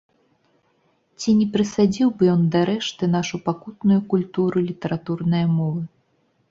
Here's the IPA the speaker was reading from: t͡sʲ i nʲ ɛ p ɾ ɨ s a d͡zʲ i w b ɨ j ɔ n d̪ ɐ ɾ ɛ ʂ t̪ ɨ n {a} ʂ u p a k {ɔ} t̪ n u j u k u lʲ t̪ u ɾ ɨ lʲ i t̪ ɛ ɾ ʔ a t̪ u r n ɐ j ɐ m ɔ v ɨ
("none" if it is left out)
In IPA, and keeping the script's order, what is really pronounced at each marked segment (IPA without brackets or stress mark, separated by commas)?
a, u